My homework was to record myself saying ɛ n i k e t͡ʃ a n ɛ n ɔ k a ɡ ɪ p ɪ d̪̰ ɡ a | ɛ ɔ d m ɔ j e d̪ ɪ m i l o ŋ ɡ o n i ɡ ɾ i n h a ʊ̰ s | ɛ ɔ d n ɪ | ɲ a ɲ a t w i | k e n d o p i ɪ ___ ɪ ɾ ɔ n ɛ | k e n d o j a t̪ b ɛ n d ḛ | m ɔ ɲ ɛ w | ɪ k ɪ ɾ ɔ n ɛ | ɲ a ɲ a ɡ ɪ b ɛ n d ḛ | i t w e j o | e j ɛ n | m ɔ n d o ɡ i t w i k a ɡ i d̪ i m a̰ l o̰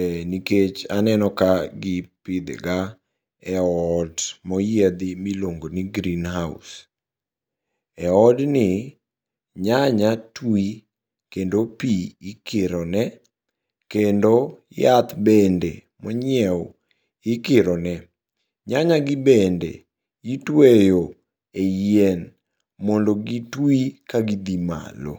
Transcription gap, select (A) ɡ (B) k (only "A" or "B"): B